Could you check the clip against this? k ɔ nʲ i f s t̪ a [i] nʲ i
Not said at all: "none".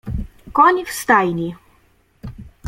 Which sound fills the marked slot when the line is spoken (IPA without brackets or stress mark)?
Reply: j